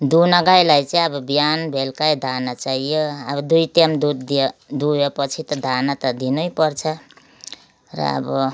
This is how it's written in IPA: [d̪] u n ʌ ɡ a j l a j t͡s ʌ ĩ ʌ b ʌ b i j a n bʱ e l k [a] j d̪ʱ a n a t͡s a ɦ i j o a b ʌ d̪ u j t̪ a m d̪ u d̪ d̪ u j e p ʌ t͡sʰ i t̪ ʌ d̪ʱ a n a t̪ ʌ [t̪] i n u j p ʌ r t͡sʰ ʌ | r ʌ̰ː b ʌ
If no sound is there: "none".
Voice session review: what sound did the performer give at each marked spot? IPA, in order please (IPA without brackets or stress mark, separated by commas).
d̪, a, d̪